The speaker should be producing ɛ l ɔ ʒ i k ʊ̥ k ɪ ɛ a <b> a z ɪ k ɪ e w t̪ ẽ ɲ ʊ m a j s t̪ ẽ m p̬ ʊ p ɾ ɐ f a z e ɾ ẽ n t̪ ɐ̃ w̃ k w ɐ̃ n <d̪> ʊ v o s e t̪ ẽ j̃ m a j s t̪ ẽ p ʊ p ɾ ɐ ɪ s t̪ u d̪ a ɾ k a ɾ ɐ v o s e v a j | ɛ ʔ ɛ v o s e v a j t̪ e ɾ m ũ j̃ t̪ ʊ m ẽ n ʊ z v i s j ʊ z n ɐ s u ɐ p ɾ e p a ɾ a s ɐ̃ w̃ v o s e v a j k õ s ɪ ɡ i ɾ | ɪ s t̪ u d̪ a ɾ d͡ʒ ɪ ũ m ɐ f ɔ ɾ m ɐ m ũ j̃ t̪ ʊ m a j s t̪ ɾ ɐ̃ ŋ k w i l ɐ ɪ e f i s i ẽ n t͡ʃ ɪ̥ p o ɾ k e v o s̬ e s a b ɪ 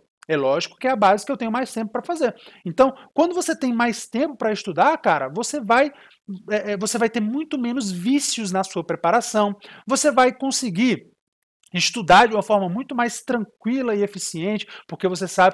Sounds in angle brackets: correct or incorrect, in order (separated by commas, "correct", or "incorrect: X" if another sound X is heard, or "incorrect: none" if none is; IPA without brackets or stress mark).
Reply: correct, correct